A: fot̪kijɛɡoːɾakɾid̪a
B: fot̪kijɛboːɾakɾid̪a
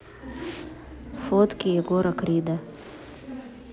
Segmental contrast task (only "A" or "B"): A